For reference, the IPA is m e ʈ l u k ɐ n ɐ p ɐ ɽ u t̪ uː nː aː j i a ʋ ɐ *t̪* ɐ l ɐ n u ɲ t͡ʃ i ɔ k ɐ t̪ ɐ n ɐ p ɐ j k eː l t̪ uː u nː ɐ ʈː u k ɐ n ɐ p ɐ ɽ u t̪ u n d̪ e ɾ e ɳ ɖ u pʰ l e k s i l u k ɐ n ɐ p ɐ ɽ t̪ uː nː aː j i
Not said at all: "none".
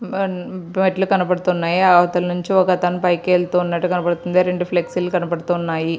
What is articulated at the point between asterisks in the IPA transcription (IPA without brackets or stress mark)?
t̪